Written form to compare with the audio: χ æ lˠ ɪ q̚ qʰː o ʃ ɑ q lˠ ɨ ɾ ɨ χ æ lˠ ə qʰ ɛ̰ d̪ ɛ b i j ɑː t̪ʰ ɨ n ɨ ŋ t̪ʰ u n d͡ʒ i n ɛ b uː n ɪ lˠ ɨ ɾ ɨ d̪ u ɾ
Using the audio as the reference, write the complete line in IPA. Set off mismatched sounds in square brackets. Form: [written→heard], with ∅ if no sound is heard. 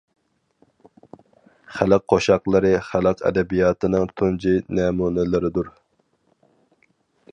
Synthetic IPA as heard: χ æ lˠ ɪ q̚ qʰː o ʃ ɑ q lˠ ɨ ɾ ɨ χ æ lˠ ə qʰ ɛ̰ d̪ ɛ b i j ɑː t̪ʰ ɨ n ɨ ŋ t̪ʰ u n d͡ʒ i n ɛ [b→m] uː n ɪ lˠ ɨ ɾ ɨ d̪ u ɾ